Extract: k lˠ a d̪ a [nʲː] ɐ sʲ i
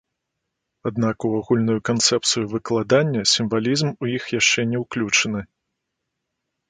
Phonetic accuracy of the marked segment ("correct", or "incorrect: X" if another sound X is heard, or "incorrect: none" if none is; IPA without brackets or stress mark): correct